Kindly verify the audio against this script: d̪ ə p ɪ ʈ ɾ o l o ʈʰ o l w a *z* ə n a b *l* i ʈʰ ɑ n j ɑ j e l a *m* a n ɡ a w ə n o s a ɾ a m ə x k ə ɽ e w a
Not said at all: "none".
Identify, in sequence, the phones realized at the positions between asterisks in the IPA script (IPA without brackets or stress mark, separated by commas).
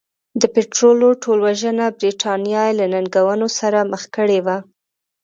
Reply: ʒ, ɾ, n